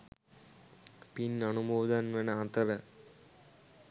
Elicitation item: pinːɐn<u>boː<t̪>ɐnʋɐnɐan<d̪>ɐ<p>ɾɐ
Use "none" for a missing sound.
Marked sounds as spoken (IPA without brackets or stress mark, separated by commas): u, d̪, t̪, none